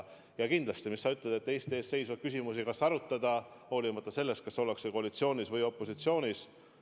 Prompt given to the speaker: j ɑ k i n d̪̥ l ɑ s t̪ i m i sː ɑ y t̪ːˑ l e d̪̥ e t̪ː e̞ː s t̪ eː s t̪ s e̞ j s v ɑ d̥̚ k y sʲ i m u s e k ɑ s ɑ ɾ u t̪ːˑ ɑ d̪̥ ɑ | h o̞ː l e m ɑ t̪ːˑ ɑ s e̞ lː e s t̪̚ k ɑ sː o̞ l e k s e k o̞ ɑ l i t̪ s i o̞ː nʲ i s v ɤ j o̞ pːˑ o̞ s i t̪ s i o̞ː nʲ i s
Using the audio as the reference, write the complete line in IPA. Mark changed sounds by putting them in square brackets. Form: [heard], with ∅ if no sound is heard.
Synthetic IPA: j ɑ k i n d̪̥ l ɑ s t̪ i m i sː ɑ y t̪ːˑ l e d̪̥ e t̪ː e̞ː s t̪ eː s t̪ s e̞ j s v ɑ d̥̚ k y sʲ i m u s [i] k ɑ s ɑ ɾ u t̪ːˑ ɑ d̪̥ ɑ | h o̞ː l [i] m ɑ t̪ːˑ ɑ s e̞ lː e s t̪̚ k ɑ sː o̞ l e k s e k o̞ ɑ l i t̪ s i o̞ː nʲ i s v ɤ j o̞ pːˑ o̞ s i t̪ s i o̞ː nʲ i s